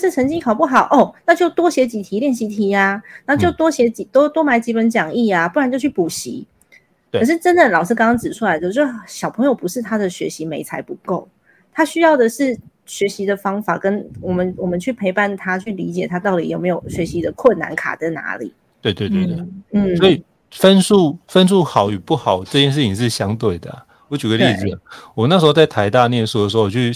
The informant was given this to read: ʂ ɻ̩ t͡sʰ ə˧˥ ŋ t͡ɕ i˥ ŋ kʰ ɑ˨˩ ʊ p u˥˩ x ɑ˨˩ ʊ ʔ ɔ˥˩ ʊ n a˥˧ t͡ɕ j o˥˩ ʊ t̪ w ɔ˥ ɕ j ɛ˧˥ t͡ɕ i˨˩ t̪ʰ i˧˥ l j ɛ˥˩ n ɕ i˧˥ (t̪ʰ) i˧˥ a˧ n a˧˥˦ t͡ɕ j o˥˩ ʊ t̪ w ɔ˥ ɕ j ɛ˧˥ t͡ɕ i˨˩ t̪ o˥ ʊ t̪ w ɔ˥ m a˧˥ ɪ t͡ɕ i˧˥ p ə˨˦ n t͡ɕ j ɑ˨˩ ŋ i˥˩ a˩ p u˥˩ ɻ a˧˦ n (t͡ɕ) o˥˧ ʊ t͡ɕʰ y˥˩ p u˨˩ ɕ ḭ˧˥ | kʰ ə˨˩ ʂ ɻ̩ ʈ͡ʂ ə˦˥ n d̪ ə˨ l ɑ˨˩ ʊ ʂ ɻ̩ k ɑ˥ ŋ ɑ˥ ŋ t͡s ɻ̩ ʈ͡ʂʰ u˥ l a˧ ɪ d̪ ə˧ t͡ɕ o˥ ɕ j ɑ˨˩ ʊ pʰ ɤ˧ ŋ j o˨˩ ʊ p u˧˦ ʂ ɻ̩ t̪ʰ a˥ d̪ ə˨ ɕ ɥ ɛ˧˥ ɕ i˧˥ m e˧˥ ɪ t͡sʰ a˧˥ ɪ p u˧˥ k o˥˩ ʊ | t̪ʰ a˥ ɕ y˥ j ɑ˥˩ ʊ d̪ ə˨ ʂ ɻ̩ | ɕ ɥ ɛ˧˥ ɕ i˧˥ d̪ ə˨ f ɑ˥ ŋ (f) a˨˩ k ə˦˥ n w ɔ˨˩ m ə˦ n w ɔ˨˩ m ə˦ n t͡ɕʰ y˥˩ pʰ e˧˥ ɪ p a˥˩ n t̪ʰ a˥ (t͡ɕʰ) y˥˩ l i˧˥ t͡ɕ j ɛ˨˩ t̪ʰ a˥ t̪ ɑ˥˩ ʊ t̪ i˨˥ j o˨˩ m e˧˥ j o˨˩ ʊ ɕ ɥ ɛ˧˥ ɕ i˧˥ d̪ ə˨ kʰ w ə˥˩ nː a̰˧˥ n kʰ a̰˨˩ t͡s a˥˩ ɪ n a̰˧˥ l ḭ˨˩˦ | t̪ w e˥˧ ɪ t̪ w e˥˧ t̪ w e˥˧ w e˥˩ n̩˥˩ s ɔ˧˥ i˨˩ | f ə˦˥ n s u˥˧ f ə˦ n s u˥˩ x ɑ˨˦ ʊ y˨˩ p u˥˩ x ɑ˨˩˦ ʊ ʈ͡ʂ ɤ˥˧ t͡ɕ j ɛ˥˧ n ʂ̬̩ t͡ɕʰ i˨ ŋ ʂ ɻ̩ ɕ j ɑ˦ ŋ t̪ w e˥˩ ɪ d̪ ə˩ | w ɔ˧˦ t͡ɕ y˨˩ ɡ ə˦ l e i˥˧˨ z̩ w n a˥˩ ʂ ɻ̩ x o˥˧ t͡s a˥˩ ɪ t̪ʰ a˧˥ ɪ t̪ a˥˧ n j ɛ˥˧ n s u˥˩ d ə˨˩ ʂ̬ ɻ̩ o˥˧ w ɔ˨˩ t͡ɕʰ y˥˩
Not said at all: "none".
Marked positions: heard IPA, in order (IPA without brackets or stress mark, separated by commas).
t̪ʰ, t͡ɕ, f, t͡ɕʰ